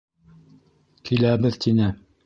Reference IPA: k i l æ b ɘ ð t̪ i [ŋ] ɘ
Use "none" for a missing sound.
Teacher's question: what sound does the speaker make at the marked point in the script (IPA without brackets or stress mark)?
n